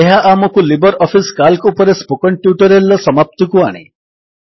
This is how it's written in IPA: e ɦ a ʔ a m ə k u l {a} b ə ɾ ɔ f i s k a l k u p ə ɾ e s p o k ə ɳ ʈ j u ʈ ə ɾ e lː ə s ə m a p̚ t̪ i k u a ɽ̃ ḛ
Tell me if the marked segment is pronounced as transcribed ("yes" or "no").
no